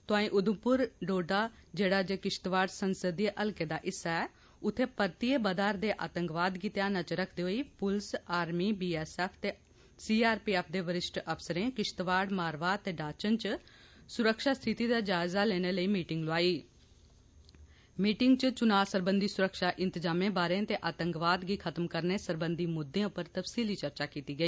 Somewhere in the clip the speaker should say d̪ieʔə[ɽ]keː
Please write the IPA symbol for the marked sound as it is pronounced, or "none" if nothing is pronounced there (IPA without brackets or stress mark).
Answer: l